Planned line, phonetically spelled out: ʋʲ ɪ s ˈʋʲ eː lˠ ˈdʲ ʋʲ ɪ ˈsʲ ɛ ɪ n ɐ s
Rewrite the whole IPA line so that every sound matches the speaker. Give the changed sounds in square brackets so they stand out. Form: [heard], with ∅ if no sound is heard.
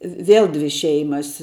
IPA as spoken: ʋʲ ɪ [∅] ˈʋʲ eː lˠ ˈdʲ ʋʲ ɪ [ˈʃʲ] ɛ ɪ [m] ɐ s

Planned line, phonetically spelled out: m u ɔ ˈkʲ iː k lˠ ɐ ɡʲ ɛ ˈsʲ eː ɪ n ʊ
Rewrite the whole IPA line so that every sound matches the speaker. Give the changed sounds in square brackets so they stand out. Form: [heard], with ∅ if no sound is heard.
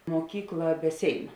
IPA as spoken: m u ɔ ˈkʲ iː k lˠ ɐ [bʲ] ɛ ˈsʲ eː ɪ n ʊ

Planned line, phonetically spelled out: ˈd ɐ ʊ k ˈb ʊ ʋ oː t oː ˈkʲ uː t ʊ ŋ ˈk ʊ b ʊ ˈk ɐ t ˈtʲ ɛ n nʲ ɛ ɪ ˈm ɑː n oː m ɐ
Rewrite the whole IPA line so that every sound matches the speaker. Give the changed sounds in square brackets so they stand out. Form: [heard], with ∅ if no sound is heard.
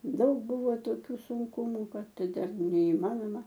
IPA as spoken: ˈd ɐ ʊ k ˈb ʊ ʋ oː t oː ˈkʲ uː [s] ʊ ŋ ˈk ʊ [m] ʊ ˈk ɐ t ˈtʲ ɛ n nʲ ɛ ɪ ˈm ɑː n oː m ɐ

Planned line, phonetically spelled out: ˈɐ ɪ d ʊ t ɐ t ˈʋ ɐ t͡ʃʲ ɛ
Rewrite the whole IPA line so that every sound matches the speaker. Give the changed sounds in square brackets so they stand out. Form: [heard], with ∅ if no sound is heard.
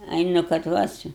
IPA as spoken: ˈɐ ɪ [n] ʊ [k] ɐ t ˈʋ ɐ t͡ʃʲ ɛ

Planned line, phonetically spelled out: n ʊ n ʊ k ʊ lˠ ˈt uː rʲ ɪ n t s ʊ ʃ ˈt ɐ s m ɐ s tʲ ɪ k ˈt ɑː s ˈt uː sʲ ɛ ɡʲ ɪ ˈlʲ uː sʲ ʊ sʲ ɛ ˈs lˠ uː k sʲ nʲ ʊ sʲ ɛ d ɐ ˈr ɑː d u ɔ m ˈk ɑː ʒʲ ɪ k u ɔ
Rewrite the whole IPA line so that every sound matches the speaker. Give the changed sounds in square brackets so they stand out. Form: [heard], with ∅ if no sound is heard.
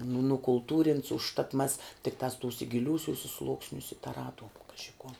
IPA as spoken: n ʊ n ʊ k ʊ lˠ ˈt uː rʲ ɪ n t s ʊ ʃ ˈt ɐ [t] m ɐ s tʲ ɪ k ˈt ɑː s ˈt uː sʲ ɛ ɡʲ ɪ ˈlʲ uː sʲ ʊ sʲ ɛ ˈs lˠ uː k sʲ nʲ ʊ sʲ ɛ [t] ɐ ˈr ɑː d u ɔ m ˈk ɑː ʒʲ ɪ k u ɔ

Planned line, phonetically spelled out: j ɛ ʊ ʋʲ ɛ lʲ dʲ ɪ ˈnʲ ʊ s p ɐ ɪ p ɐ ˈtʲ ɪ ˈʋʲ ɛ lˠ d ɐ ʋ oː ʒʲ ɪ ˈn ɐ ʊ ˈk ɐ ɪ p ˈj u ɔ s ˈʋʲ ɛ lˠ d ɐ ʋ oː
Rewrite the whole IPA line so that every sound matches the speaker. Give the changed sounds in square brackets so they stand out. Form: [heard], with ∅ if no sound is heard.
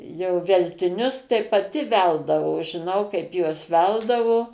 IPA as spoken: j ɛ ʊ ʋʲ ɛ lʲ [tʲ] ɪ ˈnʲ ʊ s [t] ɐ ɪ p ɐ ˈtʲ ɪ ˈʋʲ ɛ lˠ d ɐ ʋ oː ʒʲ ɪ ˈn ɐ ʊ ˈk ɐ ɪ p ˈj u ɔ s ˈʋʲ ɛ lˠ d ɐ ʋ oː

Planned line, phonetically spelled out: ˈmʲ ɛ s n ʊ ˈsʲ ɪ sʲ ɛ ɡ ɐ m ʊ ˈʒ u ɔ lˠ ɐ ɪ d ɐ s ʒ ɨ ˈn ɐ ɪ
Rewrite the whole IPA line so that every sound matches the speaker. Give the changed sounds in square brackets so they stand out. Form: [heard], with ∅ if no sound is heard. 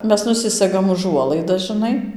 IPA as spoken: ˈmʲ ɛ s n ʊ ˈsʲ ɪ sʲ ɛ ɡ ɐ m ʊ ˈʒ u ɔ lˠ ɐ ɪ d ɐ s ʒ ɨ ˈn ɐ ɪ

